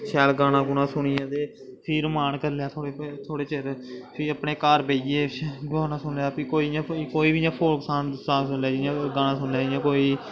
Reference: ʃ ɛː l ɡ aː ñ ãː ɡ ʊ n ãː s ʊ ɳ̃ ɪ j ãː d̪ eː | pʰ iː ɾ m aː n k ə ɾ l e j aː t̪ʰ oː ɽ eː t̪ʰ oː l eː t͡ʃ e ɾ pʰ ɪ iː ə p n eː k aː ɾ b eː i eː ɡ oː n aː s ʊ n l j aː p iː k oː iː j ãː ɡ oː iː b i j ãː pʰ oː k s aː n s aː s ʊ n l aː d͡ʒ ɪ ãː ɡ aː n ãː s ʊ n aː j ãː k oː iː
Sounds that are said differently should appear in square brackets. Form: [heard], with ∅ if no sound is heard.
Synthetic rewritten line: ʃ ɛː l ɡ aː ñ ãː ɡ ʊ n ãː s ʊ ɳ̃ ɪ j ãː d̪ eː | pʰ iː ɾ m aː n k ə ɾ l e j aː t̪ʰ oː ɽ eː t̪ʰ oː [ɽ] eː t͡ʃ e ɾ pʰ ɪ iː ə p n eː k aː ɾ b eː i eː ɡ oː n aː s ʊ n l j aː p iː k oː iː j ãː [k] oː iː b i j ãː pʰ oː k s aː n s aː s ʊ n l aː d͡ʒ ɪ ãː ɡ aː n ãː s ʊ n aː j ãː k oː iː